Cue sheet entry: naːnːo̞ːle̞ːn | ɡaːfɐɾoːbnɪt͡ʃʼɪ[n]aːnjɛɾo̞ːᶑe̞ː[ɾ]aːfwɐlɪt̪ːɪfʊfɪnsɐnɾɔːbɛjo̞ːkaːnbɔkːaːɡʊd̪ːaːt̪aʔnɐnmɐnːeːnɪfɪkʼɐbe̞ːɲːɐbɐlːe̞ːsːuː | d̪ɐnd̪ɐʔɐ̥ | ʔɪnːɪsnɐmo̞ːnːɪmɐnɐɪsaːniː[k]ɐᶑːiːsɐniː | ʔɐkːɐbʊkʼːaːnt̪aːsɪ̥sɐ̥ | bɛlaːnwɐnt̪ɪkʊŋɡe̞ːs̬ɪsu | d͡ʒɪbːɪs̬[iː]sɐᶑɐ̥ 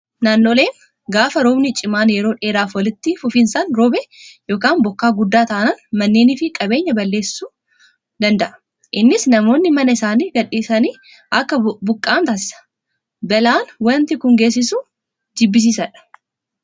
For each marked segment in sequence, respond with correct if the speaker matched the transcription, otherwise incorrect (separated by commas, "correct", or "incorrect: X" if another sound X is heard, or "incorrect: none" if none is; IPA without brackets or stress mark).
incorrect: m, correct, incorrect: ɡ, correct